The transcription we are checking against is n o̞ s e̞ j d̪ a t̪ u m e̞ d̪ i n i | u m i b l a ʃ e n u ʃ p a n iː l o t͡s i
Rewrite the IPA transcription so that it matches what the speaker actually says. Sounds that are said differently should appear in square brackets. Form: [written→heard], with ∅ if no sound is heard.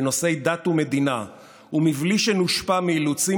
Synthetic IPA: n o̞ s e̞ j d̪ a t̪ u m e̞ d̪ i n [i→a] | u m i [b→v] l [a→i] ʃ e n u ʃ p a [n→m] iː l [o→u] t͡s i